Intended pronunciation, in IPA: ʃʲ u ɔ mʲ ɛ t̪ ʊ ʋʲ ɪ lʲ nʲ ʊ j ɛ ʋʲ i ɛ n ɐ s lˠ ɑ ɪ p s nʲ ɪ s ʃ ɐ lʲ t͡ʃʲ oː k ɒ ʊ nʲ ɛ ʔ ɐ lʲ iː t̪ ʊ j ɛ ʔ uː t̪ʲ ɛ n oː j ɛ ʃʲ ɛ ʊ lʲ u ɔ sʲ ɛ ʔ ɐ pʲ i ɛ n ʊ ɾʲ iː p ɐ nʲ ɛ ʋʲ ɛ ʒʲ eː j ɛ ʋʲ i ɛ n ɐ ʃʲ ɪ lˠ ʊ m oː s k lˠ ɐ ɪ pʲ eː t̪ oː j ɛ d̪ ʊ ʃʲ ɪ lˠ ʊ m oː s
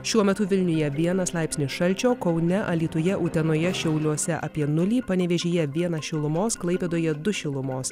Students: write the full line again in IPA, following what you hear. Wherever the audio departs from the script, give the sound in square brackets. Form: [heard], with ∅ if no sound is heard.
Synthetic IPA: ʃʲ u ɔ mʲ ɛ t̪ ʊ ʋʲ ɪ lʲ nʲ ʊ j ɛ ʋʲ i ɛ n ɐ s lˠ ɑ ɪ p s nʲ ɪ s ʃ ɐ lʲ t͡ʃʲ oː k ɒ ʊ nʲ ɛ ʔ ɐ lʲ iː t̪ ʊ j ɛ ʔ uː t̪ʲ ɛ n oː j ɛ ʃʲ ɛ ʊ lʲ u ɔ sʲ ɛ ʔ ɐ pʲ i ɛ n ʊ [lʲ] iː p ɐ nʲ ɛ ʋʲ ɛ ʒʲ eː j ɛ ʋʲ i ɛ n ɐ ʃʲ ɪ lˠ ʊ m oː s k lˠ ɐ ɪ pʲ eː [d̪] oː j ɛ d̪ ʊ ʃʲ ɪ lˠ ʊ m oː s

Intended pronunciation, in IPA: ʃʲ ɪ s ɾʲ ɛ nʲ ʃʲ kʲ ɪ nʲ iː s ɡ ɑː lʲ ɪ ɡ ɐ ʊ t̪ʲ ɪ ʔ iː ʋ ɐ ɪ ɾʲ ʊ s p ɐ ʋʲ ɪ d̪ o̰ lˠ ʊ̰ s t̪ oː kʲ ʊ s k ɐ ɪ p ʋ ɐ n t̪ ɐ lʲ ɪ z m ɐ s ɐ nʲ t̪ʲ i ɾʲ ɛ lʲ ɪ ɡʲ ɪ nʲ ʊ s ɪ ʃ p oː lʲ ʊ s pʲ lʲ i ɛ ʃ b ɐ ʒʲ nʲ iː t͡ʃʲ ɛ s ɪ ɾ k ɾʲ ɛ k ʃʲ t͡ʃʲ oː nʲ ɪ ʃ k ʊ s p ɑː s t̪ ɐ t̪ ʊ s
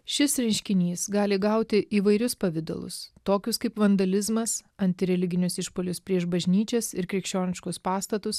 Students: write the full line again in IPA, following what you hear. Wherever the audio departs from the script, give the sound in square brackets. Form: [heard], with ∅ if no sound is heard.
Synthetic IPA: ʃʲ ɪ s ɾʲ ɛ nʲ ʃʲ kʲ ɪ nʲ iː s ɡ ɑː lʲ ɪ ɡ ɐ ʊ t̪ʲ ɪ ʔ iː ʋ ɐ ɪ ɾʲ ʊ s p ɐ ʋʲ ɪ d̪ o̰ lˠ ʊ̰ s t̪ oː kʲ ʊ s k ɐ ɪ p ʋ ɐ n [d̪] ɐ lʲ ɪ z m ɐ s ɐ nʲ t̪ʲ [ɪ] ɾʲ ɛ lʲ ɪ ɡʲ ɪ nʲ ʊ s ɪ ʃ p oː lʲ ʊ s pʲ [ɾʲ] i ɛ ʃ b ɐ ʒʲ nʲ iː t͡ʃʲ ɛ s ɪ ɾ k ɾʲ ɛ k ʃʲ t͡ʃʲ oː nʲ ɪ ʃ k ʊ s p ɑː s t̪ ɐ t̪ ʊ s

